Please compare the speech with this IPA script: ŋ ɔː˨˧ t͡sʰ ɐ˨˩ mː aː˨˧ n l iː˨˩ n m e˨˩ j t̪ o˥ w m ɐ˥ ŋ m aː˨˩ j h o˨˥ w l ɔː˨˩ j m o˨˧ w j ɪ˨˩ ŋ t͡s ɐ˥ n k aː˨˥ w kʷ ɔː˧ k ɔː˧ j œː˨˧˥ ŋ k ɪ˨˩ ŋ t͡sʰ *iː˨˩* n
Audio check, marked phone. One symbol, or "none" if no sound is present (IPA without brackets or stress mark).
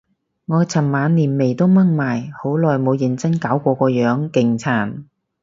aː˨˩